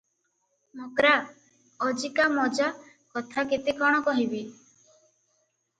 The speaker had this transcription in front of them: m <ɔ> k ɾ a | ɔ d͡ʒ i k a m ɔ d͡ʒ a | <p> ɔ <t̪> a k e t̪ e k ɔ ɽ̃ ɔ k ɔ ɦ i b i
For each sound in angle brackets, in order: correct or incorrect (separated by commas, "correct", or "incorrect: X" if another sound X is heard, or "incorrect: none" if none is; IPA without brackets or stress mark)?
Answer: incorrect: o, incorrect: k, incorrect: t̪ʰ